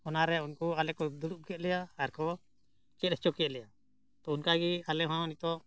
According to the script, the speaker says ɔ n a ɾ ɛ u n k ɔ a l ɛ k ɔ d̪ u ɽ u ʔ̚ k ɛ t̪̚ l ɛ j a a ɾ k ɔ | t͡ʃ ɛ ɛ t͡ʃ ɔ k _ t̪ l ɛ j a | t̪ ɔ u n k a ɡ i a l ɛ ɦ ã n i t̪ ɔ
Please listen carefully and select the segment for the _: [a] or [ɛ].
ɛ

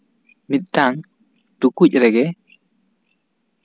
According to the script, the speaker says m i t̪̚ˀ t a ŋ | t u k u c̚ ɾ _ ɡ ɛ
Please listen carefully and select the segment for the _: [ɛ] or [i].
ɛ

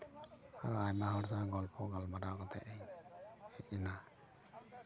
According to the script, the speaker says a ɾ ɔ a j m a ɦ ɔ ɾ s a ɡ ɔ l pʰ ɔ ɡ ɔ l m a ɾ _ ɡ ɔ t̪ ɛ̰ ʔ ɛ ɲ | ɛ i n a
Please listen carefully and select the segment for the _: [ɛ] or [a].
a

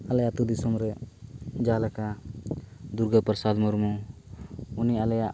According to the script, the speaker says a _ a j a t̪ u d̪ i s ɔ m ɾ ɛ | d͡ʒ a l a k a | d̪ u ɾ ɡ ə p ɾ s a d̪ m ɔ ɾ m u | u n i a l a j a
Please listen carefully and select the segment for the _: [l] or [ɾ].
l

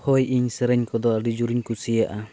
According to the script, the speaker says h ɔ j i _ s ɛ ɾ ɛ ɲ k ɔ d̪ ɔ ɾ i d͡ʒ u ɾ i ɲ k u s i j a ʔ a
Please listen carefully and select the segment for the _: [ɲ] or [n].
ɲ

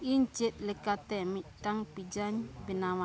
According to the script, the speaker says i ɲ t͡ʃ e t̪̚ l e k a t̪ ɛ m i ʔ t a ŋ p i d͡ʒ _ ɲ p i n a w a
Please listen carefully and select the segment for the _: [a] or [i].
a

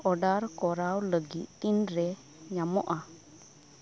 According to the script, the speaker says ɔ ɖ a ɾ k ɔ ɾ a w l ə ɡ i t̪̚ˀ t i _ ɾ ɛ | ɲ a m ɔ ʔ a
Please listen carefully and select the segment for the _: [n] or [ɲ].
n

